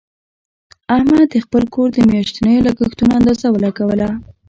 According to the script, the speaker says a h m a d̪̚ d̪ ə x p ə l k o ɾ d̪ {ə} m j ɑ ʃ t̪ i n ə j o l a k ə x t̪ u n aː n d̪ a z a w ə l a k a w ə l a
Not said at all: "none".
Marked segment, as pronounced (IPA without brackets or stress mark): ə